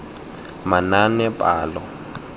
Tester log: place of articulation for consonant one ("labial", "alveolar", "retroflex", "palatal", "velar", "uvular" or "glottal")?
labial